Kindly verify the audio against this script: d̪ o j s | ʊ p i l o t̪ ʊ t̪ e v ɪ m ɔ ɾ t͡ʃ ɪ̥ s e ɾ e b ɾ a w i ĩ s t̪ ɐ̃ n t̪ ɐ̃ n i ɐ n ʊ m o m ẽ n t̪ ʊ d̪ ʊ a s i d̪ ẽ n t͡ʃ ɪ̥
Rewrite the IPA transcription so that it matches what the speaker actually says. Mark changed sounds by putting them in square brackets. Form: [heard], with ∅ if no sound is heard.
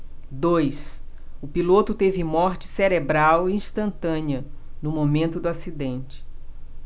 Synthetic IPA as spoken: d̪ o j s | ʊ p i l o t̪ ʊ t̪ e v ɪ m ɔ ɾ t͡ʃ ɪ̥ s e ɾ e b ɾ a w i ĩ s t̪ ɐ̃ n t̪ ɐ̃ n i ɐ n ʊ m o m ẽ n t̪ ʊ d̪ ʊ a s i d̪ ẽ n t͡ʃ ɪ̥